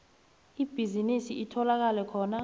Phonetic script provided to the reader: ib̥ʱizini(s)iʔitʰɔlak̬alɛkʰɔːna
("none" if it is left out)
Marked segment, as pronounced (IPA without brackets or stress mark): s